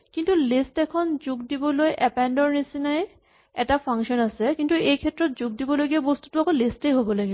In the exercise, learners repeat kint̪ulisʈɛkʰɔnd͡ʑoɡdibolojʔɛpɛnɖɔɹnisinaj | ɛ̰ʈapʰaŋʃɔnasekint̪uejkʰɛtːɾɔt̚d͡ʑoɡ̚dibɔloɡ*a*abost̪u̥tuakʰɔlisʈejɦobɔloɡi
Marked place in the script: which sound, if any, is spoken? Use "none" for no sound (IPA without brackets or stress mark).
i